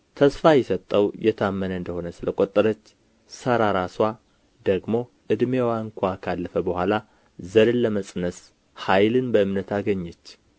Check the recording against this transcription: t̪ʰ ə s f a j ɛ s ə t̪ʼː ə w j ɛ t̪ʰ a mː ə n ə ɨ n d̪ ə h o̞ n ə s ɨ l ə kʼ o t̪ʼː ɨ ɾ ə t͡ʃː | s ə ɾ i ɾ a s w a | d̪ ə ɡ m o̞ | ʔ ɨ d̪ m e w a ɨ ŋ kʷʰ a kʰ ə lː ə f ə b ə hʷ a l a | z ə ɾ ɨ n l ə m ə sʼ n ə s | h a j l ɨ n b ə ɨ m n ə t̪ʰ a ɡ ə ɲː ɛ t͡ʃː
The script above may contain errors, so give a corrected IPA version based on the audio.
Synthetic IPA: t̪ʰ ə s f a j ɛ s ə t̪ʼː ə w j ɛ t̪ʰ a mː ə n ə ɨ n d̪ ə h o̞ n ə s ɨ l ə kʼ o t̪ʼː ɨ ɾ ə t͡ʃː | s ə ɾ a ɾ a s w a | d̪ ə ɡ m o̞ | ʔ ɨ d̪ m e w a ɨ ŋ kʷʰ a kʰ a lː ə f ə b ə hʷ a l a | z ə ɾ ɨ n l ə m ə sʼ n ə s | h a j l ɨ n b ə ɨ m n ə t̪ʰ a ɡ ə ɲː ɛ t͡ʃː